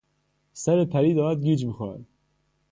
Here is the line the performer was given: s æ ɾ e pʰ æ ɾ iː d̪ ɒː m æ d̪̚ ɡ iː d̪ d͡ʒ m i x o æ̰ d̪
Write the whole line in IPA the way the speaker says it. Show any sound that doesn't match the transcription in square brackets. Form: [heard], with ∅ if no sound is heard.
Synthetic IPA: s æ ɾ e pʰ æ ɾ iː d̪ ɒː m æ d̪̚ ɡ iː [∅] d͡ʒ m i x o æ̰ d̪